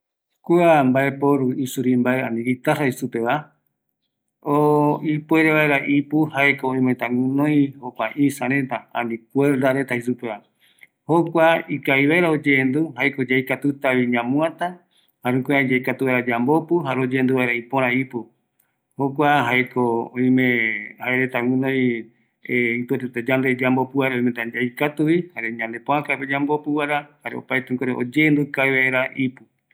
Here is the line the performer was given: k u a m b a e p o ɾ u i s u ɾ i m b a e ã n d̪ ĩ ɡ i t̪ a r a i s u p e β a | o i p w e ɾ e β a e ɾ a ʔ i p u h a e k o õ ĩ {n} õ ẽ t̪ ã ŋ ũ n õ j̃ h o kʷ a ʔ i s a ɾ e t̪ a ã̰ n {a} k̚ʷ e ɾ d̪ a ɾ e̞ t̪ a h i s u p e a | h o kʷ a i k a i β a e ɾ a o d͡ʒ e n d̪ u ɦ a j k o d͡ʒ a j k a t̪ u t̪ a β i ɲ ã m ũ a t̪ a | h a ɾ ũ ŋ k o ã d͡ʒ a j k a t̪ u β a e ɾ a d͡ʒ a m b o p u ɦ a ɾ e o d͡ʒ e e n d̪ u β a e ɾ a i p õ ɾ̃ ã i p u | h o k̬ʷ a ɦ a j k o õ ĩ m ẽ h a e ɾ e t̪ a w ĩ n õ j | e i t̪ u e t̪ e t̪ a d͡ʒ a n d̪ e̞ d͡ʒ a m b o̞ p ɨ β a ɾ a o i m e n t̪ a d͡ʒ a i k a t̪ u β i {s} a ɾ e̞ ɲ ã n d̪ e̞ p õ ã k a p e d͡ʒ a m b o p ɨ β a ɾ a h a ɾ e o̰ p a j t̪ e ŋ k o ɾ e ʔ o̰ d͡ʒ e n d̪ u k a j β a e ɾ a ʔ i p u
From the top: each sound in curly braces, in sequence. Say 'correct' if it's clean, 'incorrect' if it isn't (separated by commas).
incorrect, incorrect, incorrect